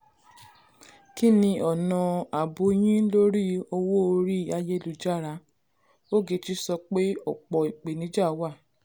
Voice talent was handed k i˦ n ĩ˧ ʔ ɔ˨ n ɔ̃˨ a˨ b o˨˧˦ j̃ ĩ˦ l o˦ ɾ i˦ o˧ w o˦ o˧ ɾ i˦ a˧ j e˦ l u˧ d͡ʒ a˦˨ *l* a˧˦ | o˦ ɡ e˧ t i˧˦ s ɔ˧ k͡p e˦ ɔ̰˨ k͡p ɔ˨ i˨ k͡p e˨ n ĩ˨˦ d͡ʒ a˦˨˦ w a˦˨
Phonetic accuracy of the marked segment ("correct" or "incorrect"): incorrect